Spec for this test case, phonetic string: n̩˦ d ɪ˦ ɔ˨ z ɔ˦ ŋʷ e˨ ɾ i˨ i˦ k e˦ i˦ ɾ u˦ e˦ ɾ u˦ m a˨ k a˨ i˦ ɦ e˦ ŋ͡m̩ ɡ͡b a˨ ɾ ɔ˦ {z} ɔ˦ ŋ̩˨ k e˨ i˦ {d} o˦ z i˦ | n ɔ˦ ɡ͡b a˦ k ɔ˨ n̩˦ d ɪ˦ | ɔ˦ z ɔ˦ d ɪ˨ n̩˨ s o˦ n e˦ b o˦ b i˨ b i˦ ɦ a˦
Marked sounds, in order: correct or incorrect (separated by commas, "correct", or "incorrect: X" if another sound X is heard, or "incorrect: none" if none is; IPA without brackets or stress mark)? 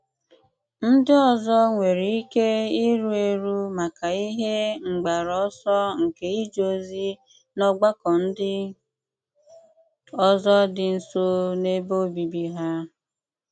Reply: incorrect: s, incorrect: d͡ʒ